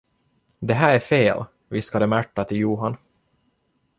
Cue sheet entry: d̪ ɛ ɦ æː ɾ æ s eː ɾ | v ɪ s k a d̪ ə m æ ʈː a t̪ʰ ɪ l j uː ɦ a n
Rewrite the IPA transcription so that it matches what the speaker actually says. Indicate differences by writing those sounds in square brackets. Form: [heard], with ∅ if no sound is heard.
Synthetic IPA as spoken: d̪ ɛ ɦ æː ɾ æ [f] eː [l] | v ɪ s k a d̪ ə m æ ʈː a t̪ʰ ɪ l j uː ɦ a n